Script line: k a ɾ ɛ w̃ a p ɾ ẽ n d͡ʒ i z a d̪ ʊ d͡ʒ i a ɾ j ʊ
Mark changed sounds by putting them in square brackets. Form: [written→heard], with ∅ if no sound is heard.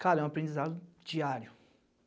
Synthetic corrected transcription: k a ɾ ɛ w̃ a p ɾ ẽ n d͡ʒ i z a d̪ ʊ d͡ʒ i a ɾ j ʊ